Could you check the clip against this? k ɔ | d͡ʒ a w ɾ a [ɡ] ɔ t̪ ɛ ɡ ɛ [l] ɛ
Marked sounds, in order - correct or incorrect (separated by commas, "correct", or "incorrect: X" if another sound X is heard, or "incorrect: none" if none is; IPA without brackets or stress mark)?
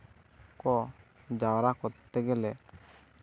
incorrect: k, correct